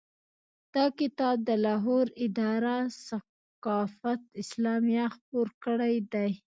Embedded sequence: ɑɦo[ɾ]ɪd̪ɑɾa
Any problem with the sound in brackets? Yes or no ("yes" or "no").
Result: no